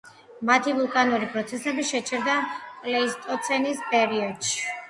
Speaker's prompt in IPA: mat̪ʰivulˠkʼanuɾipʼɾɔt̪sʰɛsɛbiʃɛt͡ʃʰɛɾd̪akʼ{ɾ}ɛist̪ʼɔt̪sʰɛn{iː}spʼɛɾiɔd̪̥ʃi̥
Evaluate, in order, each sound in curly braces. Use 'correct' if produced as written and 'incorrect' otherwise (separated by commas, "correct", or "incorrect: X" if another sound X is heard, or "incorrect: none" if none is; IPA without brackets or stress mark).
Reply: incorrect: l, incorrect: i